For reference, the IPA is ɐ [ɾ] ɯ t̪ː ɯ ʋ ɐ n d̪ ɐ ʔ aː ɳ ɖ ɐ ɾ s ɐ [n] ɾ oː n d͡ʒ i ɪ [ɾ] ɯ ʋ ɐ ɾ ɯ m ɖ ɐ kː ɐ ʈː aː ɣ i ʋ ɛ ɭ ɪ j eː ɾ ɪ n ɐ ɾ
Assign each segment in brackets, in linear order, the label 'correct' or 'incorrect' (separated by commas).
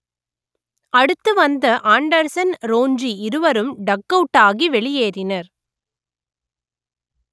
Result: incorrect, correct, correct